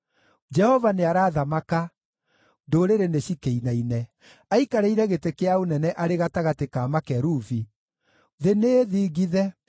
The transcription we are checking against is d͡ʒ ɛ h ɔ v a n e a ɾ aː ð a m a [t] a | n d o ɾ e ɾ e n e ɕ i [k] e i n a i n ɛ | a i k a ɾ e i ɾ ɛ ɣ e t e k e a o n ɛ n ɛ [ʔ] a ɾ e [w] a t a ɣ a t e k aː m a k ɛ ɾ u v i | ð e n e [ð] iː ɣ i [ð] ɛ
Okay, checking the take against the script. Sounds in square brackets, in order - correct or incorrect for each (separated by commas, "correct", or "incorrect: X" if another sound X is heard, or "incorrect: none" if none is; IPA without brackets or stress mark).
incorrect: k, correct, correct, incorrect: ɣ, correct, correct